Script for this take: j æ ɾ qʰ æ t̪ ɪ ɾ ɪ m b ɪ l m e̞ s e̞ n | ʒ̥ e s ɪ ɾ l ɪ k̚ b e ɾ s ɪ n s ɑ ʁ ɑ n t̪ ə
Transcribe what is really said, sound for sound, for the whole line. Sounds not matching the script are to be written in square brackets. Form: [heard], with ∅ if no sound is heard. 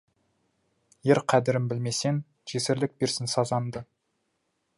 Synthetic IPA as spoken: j [e] ɾ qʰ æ [d̪] ɪ ɾ ɪ m b ɪ l m e̞ s e̞ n | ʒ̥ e s ɪ ɾ l ɪ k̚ b e ɾ s ɪ n s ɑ [z] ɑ n [d̪] ə